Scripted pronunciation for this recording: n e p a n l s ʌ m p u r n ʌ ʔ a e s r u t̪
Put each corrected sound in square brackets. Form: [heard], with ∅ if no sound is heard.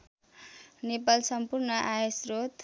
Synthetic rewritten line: n e p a [∅] l s ʌ m p u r n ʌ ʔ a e s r [o] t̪

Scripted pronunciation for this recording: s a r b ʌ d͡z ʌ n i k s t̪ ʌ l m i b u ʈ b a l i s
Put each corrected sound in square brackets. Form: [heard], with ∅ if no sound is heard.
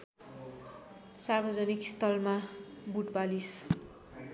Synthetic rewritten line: s a r b ʌ d͡z ʌ n i k s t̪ ʌ l m [a] b u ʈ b a l i s

